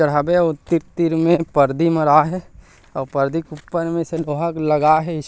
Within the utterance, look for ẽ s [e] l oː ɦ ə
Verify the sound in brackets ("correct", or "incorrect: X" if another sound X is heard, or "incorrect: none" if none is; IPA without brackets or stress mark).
correct